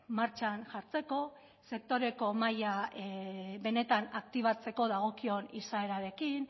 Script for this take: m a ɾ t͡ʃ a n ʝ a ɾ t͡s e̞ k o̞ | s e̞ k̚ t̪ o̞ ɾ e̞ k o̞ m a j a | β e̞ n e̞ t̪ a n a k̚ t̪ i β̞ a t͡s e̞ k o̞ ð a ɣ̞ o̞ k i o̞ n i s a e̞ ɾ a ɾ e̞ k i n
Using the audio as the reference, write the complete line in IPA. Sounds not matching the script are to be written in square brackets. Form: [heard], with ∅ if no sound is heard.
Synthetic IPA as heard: m a ɾ t͡ʃ a n ʝ a ɾ t͡s e̞ k o̞ | s e̞ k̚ t̪ o̞ ɾ e̞ k o̞ m a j a | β e̞ n e̞ t̪ a n a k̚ t̪ i β̞ a t͡s e̞ k o̞ ð a ɣ̞ o̞ k i o̞ n i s a e̞ ɾ a ɾ e̞ k i n